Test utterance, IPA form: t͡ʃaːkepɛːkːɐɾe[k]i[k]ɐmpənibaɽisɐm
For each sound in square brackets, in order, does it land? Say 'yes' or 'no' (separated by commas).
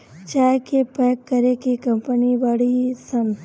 yes, yes